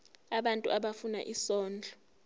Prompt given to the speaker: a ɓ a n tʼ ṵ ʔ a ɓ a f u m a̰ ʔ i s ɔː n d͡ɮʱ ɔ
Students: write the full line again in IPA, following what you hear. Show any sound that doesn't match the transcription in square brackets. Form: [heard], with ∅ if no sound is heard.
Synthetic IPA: a ɓ a n tʼ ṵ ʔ a ɓ a f u [n] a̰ ʔ i s ɔː n d͡ɮʱ ɔ